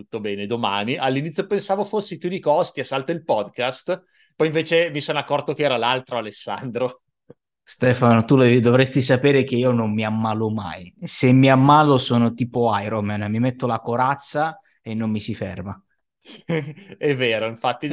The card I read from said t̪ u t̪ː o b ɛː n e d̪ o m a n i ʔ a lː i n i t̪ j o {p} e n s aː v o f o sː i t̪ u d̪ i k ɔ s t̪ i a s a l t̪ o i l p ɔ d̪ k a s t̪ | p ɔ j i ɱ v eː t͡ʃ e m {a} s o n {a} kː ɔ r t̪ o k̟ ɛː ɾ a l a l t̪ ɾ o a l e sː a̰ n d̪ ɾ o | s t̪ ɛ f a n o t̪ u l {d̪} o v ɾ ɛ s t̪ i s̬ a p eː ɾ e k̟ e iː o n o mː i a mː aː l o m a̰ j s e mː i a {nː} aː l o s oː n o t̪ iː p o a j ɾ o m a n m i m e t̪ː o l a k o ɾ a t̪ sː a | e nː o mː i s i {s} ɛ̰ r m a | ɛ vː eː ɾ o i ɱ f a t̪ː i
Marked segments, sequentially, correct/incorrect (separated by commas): correct, incorrect, correct, correct, incorrect, incorrect